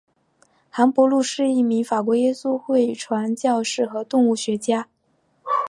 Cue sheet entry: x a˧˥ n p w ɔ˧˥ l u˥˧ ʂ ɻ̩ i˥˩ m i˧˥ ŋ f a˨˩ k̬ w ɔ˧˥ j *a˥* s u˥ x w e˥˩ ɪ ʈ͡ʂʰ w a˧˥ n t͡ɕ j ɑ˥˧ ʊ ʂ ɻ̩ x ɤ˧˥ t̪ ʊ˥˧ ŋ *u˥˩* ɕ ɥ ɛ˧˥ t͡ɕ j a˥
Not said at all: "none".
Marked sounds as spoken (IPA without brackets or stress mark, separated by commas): ɛ˥, u˥˩